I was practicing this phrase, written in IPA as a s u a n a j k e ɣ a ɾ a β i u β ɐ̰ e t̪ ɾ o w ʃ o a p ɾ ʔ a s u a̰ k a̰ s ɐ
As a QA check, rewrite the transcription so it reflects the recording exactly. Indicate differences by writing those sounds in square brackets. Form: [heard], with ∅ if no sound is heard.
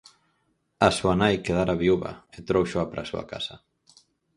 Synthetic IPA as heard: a s u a n a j k e [ð] a ɾ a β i u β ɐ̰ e t̪ ɾ o w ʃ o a p ɾ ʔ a s u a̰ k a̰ s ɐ